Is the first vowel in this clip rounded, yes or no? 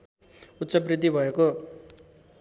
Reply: yes